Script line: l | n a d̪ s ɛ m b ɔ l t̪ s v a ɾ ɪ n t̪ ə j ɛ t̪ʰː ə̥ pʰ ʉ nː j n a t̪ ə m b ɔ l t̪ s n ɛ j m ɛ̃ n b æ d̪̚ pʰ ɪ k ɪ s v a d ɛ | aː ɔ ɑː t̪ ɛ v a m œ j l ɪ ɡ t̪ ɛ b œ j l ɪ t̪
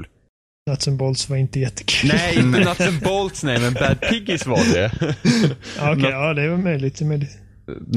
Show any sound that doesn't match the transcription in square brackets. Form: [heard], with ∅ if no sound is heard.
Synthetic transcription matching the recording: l | n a [t̪] s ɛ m b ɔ l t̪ s v a ɾ ɪ n t̪ ə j ɛ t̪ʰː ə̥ [kʰ] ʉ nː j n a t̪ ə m b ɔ l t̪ s n ɛ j m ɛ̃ n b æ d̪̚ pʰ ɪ [ɡ] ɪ s v a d ɛ | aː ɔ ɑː [d̪] ɛ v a m œ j l ɪ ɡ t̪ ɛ [m] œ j l ɪ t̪